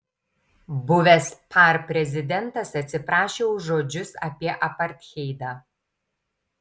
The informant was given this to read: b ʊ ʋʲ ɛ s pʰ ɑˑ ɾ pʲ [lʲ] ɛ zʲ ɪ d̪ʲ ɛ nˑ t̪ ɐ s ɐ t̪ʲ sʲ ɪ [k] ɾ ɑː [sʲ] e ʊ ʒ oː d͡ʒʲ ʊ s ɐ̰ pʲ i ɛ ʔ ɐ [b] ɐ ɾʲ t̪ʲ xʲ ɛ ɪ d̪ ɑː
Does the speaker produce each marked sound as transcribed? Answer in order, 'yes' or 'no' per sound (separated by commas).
no, no, no, no